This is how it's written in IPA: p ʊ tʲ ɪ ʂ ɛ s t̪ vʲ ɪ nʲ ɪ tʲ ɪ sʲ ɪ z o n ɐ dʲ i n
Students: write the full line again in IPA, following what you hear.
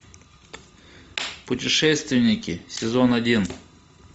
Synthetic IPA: p ʊ tʲ ɪ ʂ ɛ s t̪ vʲ ɪ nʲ ɪ kʲ ɪ sʲ ɪ z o n ɐ dʲ i n

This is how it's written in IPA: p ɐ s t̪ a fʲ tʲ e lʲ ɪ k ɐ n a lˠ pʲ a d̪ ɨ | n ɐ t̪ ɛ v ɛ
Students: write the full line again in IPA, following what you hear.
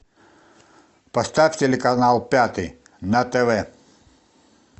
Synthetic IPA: p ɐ s t̪ a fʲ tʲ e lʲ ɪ k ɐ n a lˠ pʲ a t̪ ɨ | n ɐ t̪ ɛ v ɛ

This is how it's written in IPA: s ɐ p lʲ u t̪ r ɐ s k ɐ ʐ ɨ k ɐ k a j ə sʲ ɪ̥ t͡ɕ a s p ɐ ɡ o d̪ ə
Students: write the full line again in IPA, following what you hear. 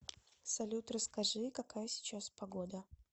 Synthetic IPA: s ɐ lʲ u t̪ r ə s k ɐ ʐ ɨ k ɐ k a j ə sʲ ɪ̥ t͡ɕ a s p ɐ ɡ o d̪ ə

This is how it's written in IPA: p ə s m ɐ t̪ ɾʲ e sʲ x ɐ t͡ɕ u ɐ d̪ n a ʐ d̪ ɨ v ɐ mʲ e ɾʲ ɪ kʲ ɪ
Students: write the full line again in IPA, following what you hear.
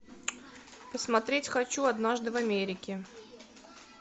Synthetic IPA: p ə s m ɐ t̪ ɾʲ e tʲ x ɐ t͡ɕ u ɐ d̪ n a ʐ d̪ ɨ v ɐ mʲ e ɾʲ ɪ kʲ ɪ

